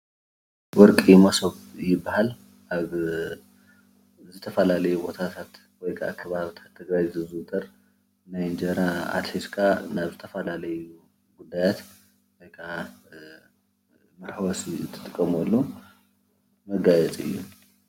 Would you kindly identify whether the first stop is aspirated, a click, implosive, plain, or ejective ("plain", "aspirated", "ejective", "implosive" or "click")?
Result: ejective